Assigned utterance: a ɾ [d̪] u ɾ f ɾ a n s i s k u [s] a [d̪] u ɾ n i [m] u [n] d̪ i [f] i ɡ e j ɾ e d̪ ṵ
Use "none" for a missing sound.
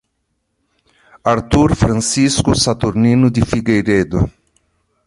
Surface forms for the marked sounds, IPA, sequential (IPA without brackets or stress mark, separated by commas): t̪, s, t̪, n, none, f